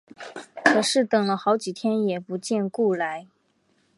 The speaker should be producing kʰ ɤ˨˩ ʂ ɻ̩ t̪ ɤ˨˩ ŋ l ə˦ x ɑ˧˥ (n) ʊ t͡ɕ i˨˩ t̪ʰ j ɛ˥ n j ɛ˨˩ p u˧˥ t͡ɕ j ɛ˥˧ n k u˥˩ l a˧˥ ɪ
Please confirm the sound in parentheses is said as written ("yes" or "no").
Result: no